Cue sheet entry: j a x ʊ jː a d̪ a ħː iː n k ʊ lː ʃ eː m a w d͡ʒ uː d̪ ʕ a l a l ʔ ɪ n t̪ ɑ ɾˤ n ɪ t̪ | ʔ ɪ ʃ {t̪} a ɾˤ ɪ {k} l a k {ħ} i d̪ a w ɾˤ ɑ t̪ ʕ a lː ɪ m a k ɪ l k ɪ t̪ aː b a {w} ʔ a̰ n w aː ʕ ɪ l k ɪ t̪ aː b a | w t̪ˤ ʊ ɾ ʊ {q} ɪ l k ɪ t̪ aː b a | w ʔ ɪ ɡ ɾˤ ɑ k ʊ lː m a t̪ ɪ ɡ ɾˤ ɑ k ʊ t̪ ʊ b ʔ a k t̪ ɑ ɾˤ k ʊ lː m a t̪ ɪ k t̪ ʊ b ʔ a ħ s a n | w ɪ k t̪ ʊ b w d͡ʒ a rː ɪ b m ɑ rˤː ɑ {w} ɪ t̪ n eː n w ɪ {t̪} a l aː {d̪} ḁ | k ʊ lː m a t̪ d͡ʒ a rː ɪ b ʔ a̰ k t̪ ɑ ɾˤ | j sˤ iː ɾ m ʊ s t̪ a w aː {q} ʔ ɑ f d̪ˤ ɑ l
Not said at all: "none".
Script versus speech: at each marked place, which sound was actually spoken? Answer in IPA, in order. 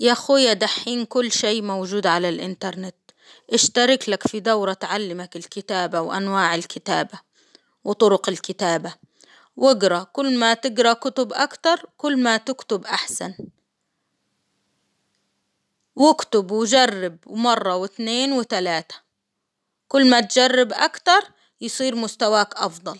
t̪, k, f, w, q, w, t̪, t̪, k

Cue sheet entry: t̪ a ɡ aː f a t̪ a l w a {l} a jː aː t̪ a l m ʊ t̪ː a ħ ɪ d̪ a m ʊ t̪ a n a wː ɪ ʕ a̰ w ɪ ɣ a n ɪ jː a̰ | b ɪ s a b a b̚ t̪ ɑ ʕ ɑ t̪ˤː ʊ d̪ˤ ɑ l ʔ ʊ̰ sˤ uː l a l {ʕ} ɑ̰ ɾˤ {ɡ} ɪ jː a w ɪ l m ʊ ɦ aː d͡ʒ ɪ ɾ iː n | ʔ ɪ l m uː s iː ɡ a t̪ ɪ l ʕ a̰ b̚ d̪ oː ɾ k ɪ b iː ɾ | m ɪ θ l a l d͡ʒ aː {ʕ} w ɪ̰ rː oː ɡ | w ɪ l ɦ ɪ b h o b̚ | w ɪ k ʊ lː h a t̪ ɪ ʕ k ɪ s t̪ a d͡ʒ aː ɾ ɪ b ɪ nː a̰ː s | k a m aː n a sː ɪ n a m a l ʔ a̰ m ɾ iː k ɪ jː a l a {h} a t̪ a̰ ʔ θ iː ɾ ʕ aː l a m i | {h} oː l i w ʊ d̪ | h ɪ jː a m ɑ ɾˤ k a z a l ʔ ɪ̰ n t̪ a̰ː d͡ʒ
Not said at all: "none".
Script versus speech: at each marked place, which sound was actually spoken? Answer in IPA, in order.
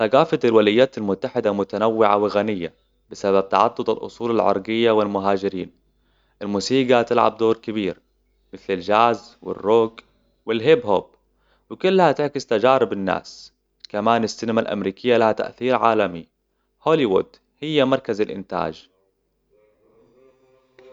l, ʕ, ɡ, z, h, h

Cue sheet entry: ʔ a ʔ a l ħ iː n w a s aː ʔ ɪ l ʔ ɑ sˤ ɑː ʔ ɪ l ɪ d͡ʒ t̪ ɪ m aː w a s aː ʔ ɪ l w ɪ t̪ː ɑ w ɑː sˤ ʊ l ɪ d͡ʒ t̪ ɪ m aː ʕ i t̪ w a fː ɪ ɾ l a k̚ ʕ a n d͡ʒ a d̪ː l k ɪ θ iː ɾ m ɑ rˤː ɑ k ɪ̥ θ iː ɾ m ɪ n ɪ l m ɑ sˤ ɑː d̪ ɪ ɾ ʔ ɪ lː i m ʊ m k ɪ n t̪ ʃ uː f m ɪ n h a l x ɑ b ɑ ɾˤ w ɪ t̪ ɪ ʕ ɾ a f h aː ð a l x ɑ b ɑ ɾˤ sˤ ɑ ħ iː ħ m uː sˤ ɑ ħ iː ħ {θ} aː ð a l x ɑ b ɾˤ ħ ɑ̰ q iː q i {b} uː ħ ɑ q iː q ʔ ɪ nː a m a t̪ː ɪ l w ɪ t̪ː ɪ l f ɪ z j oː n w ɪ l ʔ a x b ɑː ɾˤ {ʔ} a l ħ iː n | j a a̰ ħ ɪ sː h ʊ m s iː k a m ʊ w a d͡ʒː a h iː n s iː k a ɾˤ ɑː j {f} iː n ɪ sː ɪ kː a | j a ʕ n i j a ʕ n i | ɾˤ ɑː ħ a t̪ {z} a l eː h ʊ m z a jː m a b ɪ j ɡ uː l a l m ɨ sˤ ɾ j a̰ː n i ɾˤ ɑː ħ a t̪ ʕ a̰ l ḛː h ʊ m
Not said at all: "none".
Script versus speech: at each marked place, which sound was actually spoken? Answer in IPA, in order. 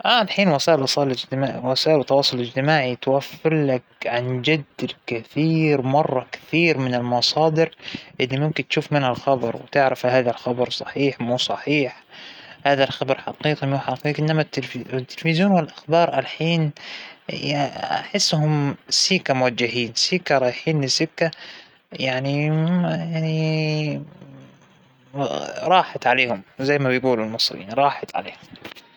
h, m, ʔ, ħ, ʕ

